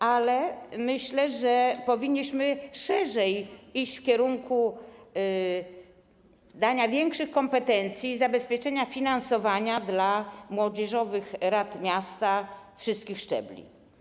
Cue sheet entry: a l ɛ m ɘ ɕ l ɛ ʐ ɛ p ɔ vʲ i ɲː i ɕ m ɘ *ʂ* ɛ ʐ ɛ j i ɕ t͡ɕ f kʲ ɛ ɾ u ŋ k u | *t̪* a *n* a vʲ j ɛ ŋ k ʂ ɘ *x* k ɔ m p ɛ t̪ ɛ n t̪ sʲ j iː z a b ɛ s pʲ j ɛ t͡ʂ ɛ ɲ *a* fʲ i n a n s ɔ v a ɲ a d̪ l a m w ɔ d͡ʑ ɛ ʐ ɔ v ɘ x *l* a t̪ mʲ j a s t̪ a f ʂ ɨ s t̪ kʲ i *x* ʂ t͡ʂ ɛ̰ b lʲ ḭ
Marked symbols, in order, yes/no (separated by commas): yes, no, no, yes, yes, no, yes